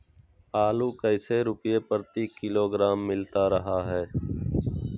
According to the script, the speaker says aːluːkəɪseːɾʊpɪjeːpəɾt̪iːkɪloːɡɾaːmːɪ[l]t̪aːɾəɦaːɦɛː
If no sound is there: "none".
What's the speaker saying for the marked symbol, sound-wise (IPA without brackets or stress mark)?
l